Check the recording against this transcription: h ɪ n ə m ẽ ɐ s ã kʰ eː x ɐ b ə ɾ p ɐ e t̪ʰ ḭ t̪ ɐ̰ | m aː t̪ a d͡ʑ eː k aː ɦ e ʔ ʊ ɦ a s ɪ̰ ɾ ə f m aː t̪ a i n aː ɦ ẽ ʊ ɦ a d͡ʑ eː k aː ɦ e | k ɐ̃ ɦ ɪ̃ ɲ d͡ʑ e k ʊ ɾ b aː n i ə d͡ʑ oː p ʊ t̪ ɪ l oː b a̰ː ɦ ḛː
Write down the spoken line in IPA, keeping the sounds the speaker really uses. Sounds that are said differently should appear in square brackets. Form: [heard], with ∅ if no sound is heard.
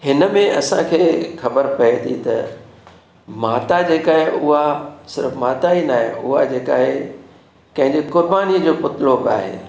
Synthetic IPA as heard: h ɪ n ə m ẽ ɐ s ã kʰ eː x ɐ b ə ɾ p ɐ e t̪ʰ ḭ t̪ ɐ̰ | m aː t̪ a d͡ʑ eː k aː ɦ e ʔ ʊ ɦ a s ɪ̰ ɾ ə f m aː t̪ a i n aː ɦ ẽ ʊ ɦ a d͡ʑ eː k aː ɦ e | k ɐ̃ ɦ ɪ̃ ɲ d͡ʑ e k ʊ ɾ b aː n i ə d͡ʑ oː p ʊ t̪ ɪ l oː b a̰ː ɦ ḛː